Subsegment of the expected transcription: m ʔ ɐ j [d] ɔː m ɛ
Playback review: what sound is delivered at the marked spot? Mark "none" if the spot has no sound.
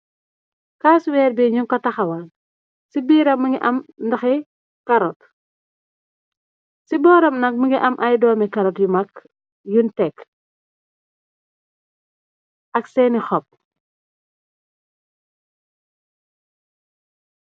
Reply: d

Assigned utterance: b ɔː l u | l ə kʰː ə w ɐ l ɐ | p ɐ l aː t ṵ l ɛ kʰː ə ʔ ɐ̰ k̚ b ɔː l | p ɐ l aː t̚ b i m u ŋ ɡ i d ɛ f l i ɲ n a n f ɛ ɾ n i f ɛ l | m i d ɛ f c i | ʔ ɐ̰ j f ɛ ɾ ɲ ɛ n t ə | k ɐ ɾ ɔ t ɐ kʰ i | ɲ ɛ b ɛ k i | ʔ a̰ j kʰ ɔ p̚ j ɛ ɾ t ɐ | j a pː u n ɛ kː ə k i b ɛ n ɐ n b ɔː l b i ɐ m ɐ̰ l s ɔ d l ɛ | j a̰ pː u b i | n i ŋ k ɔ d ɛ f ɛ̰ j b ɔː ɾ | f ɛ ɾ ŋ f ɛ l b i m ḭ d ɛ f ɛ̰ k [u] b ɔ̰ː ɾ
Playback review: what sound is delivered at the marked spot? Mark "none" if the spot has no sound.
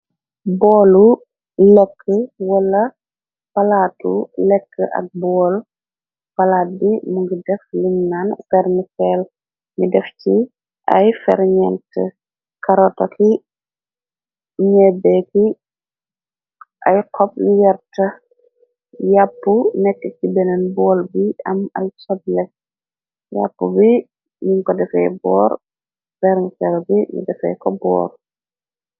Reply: ɔ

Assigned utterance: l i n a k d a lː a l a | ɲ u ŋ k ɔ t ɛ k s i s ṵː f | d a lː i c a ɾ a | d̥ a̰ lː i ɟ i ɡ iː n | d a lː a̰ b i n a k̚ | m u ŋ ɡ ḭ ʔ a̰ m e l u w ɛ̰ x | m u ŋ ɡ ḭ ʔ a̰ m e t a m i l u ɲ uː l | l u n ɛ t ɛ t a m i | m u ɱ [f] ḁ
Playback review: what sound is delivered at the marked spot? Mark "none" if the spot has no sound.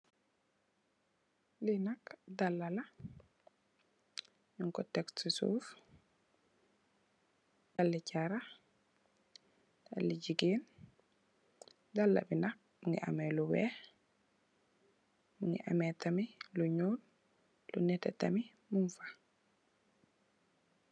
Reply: f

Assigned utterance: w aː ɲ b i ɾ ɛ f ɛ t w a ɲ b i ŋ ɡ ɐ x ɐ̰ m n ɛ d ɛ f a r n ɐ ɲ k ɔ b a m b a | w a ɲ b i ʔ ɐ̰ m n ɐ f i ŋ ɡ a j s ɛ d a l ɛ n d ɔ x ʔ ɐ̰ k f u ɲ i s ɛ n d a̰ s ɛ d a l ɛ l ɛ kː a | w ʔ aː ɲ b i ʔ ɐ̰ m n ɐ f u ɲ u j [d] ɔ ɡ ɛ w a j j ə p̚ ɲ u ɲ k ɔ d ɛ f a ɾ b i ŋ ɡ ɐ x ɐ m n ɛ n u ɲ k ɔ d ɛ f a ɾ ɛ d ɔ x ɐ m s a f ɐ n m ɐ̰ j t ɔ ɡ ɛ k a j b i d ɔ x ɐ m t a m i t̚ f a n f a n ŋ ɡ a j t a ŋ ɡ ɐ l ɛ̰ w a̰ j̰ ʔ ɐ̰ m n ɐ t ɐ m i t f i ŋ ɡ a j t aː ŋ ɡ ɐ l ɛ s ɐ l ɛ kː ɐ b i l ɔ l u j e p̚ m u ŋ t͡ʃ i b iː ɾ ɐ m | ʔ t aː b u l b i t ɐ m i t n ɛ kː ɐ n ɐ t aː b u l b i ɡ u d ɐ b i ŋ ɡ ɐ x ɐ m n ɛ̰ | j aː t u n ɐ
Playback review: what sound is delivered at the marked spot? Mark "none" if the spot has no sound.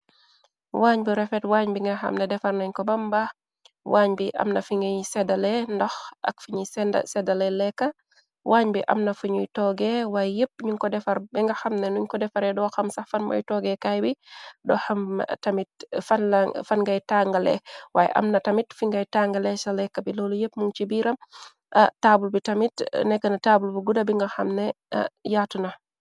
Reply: t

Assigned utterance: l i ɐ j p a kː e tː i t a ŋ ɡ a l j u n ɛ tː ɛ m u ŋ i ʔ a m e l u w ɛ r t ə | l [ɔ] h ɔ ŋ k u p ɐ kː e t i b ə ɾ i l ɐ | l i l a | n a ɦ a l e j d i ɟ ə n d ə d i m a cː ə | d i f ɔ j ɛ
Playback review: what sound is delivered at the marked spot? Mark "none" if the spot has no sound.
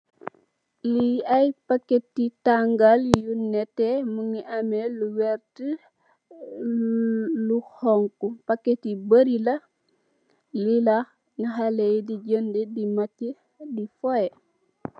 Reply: u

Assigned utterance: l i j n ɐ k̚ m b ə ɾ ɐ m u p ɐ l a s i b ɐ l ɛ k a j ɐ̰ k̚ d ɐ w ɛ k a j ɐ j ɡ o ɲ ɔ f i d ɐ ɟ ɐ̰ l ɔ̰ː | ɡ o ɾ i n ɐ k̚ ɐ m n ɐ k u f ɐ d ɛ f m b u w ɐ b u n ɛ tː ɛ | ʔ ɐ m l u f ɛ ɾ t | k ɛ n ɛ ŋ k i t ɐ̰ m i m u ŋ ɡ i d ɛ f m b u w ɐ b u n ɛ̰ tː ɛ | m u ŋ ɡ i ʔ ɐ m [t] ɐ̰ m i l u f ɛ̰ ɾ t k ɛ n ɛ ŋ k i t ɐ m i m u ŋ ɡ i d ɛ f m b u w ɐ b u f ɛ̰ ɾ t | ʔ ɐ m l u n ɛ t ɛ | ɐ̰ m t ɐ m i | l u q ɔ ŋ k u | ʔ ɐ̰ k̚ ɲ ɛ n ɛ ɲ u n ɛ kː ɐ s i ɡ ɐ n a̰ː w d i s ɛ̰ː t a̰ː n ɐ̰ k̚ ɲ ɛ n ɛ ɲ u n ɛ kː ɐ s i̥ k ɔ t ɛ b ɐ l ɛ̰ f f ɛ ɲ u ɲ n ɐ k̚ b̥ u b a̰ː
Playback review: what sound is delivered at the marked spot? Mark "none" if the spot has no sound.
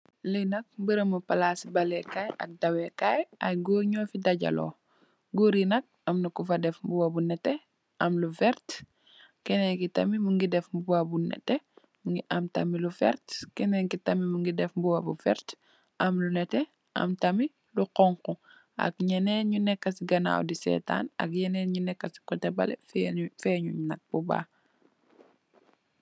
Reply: t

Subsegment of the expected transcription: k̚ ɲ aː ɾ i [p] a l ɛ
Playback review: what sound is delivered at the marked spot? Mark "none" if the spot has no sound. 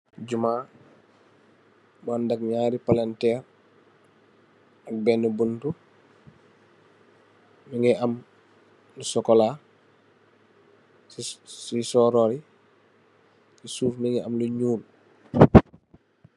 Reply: p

